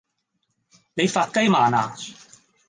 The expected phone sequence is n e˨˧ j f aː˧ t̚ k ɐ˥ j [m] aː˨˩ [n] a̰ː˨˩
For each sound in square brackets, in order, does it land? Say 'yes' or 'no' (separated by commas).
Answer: yes, yes